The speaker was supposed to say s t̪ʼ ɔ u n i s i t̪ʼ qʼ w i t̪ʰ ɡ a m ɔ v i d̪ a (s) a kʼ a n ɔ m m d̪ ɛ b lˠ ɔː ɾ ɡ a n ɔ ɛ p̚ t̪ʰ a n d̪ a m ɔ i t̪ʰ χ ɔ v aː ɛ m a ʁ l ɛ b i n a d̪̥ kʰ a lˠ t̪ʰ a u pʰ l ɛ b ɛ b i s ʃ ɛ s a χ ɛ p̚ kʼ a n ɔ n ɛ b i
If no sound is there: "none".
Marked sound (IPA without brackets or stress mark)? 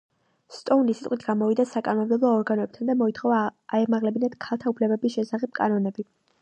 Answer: s